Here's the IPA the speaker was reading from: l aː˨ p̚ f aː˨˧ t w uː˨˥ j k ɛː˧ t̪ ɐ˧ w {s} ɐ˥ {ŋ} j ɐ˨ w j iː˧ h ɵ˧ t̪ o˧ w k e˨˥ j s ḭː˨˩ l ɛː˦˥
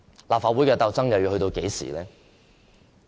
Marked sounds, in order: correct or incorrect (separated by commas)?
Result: incorrect, correct